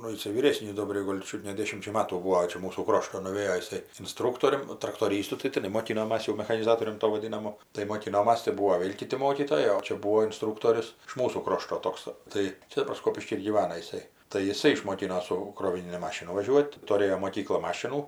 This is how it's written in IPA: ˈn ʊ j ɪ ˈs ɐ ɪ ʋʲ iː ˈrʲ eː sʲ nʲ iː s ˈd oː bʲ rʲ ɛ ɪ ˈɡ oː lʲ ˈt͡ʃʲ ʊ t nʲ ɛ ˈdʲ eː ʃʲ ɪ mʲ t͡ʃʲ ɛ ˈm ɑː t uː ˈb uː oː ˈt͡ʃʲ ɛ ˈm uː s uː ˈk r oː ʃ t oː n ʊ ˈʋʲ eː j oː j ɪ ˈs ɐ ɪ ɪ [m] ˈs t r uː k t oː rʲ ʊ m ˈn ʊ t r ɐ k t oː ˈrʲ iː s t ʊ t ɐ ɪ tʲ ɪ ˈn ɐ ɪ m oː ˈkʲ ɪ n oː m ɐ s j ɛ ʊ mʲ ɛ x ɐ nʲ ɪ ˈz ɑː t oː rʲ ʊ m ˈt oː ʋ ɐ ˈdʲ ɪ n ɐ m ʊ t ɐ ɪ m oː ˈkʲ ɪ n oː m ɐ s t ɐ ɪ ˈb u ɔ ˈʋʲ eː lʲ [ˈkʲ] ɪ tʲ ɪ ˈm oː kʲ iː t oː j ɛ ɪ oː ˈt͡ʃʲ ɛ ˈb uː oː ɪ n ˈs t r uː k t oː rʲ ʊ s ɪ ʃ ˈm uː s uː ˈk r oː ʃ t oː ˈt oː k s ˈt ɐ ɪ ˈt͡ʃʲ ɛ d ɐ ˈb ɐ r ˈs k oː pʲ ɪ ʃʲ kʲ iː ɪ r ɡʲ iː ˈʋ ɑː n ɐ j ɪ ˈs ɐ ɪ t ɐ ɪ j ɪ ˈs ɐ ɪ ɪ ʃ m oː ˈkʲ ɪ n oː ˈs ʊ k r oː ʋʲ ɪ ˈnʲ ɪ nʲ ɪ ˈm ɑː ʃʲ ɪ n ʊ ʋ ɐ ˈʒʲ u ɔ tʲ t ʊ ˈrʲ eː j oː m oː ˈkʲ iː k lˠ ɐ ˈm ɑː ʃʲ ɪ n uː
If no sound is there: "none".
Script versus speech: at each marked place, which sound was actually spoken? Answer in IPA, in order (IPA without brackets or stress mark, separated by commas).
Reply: n, kʲ